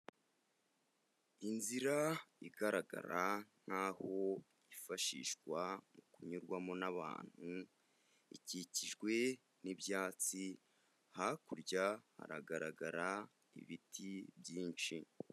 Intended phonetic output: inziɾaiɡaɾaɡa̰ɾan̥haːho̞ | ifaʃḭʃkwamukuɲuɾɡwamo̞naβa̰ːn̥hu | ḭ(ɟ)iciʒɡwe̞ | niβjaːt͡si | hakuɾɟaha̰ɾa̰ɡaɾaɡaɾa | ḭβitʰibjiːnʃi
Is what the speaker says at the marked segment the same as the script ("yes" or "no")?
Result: no